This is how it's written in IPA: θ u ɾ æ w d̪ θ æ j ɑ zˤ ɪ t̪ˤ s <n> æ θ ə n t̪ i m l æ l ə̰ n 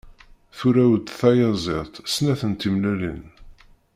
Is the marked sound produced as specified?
yes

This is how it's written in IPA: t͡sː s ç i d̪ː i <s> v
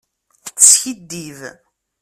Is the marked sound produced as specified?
no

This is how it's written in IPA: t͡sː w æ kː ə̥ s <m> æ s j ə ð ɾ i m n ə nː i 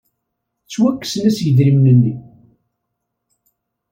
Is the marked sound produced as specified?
no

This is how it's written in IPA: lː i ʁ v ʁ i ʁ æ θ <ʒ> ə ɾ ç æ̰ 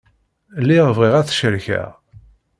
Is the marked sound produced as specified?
no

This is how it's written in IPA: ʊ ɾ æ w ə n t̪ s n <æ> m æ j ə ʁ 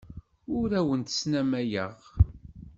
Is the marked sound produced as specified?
yes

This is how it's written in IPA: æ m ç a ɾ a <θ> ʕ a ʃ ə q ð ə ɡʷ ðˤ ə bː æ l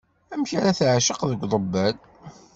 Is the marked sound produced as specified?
yes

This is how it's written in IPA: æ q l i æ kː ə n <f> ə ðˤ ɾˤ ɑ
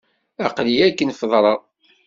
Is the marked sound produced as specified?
yes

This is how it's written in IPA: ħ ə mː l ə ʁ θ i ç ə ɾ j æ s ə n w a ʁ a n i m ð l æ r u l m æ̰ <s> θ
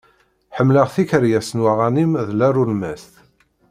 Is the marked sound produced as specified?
yes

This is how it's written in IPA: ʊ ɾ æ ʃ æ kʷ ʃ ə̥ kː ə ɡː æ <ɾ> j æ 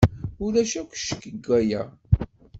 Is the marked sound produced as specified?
no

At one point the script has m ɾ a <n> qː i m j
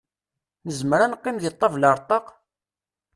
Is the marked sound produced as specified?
yes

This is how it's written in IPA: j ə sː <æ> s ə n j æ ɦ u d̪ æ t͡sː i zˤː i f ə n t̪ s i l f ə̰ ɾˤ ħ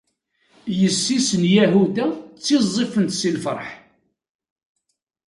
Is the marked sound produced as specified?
no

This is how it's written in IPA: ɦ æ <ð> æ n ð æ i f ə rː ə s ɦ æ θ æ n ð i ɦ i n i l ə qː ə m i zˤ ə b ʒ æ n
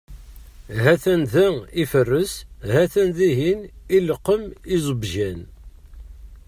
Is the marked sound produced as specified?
no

